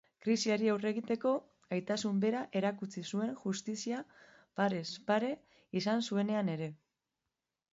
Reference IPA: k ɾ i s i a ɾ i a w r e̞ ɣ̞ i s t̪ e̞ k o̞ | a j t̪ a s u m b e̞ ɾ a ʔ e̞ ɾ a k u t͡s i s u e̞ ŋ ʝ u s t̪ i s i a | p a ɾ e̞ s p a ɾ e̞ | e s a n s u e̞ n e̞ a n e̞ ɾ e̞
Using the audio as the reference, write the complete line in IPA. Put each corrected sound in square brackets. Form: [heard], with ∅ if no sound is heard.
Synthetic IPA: k ɾ i s i a ɾ i a w r e̞ ɣ̞ i [∅] t̪ e̞ k o̞ | a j t̪ a s u m b e̞ ɾ a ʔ e̞ ɾ a k u t͡s i s u e̞ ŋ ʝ u s t̪ i s i a | p a ɾ e̞ s p a ɾ e̞ | [i] s a n s u e̞ n e̞ a n e̞ ɾ e̞